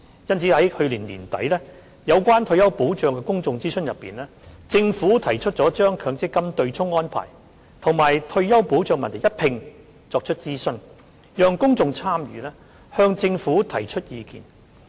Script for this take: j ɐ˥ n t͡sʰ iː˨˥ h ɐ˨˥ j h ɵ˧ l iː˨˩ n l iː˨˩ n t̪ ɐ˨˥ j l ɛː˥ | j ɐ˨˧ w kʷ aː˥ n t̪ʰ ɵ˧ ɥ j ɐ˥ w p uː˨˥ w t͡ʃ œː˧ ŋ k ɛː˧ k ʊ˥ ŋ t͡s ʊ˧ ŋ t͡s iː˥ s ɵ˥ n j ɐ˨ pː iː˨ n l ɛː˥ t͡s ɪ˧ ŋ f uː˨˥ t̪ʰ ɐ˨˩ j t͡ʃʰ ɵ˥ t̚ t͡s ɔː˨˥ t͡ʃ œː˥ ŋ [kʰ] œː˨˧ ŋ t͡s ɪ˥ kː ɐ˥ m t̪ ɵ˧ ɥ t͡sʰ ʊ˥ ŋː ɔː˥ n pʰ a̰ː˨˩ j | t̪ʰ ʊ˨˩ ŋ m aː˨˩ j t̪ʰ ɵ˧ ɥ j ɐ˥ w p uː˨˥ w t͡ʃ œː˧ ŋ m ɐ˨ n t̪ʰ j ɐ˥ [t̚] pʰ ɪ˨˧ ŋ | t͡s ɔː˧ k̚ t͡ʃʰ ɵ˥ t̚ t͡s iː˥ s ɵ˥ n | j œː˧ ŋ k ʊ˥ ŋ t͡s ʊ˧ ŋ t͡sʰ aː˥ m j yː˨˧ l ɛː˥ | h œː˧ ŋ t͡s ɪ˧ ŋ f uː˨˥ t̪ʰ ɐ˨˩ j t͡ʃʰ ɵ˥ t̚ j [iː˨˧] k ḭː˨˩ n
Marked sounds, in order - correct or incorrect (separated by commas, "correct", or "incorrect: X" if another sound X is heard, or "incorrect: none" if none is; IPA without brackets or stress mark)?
correct, correct, correct